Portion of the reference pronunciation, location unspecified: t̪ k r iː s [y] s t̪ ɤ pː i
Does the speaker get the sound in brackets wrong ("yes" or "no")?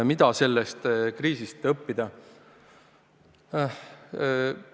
yes